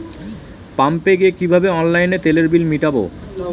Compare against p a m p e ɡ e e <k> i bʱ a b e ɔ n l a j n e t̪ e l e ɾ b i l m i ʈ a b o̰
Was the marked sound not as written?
no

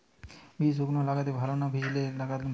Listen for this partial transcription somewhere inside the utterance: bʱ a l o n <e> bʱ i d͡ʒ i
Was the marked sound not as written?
yes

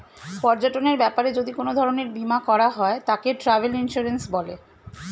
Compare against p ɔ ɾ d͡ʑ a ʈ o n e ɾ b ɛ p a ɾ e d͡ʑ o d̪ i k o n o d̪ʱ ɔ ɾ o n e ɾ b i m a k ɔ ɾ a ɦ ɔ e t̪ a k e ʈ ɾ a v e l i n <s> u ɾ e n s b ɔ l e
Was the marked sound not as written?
yes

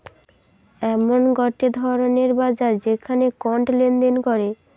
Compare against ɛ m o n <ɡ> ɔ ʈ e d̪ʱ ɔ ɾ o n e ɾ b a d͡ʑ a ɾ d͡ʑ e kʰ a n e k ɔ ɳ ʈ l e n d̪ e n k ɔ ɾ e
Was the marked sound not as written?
no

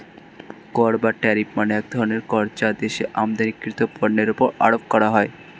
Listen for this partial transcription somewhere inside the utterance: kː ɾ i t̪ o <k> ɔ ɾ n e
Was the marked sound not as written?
yes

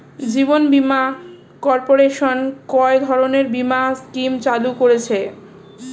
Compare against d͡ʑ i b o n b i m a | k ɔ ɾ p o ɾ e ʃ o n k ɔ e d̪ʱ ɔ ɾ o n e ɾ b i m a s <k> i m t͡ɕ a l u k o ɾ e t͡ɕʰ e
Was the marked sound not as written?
no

